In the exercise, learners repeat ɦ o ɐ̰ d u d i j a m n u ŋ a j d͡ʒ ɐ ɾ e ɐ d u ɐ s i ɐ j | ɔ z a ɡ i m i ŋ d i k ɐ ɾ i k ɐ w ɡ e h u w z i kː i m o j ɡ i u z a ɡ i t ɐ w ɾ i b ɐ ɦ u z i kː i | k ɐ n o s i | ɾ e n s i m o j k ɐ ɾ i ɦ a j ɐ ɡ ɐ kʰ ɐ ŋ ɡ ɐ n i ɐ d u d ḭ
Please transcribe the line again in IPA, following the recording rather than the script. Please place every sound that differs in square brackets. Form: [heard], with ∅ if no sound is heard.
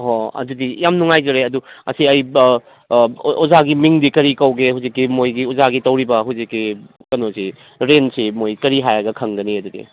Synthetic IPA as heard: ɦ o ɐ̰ d u d i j a m n u ŋ a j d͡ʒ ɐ ɾ e ɐ d u ɐ s i ɐ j | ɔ z a ɡ i m i ŋ d i k ɐ ɾ i k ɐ w ɡ e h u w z i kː i m o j ɡ i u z a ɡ i t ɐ w ɾ i b ɐ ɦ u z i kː i | k ɐ n o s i | ɾ e n s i m o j k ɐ ɾ i ɦ a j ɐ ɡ ɐ kʰ ɐ ŋ ɡ ɐ n i ɐ d u d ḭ